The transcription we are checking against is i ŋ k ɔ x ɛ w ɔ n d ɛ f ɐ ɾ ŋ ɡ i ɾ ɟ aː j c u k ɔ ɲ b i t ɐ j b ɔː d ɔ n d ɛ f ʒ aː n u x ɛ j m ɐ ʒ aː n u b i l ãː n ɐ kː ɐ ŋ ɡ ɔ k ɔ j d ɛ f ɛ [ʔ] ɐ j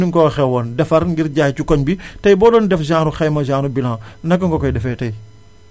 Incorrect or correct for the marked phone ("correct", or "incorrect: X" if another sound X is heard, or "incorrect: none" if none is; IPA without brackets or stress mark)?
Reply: incorrect: t